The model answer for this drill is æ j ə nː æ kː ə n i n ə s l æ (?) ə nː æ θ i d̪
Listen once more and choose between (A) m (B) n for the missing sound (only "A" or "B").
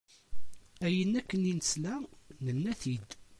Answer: B